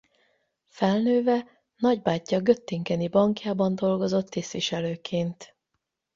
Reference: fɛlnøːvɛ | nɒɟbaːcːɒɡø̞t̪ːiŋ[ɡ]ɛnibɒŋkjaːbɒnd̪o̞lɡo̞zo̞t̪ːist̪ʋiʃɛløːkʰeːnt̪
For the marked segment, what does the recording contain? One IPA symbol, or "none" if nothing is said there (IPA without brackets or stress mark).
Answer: k